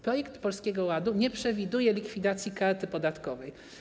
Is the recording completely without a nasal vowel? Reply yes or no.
yes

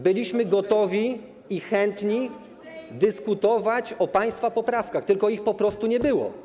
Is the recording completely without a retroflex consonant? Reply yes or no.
yes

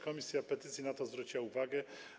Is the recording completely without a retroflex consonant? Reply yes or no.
yes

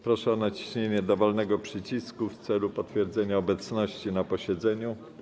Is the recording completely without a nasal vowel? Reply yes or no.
yes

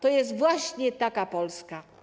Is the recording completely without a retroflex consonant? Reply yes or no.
yes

